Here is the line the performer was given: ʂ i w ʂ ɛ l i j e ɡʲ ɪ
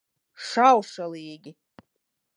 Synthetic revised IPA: ʂ a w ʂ a l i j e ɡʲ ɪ